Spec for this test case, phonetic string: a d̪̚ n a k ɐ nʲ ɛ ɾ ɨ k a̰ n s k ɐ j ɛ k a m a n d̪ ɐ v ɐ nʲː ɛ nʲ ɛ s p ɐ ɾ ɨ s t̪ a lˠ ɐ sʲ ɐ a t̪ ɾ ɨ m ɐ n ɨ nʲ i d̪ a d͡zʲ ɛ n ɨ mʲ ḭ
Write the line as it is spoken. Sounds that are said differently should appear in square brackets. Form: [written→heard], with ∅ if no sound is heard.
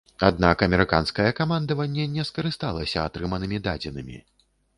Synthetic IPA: a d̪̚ n a k ɐ [nʲ→mʲ] ɛ ɾ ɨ k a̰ n s k ɐ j ɛ k a m a n d̪ ɐ v ɐ nʲː ɛ nʲ ɛ s [p→k] ɐ ɾ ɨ s t̪ a lˠ ɐ sʲ ɐ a t̪ ɾ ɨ m ɐ n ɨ [nʲ→mʲ] i d̪ a d͡zʲ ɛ n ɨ mʲ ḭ